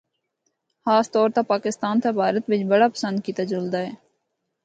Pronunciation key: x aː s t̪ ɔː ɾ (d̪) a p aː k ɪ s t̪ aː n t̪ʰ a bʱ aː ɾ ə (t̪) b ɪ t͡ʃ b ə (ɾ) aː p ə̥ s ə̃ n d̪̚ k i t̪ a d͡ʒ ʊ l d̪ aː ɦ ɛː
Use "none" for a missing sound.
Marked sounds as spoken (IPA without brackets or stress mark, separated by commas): t̪, t̪, ɽ